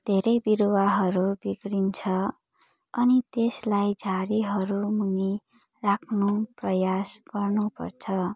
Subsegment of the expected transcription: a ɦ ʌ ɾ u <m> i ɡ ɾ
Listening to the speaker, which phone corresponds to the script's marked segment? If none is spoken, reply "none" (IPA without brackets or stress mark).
b